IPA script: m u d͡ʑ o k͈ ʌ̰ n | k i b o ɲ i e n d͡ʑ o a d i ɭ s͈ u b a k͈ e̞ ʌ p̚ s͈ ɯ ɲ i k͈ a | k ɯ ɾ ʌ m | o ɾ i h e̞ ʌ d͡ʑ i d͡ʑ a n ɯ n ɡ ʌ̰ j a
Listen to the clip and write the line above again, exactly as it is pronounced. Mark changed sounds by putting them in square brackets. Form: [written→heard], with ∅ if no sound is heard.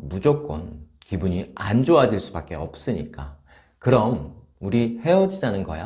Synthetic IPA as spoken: m u d͡ʑ o k͈ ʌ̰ n | k i b [o→u] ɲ i [e→a] n d͡ʑ o a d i ɭ s͈ u b a k͈ e̞ ʌ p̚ s͈ ɯ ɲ i k͈ a | k ɯ ɾ ʌ m | [o→u] ɾ i h e̞ ʌ d͡ʑ i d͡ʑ a n ɯ n ɡ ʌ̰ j a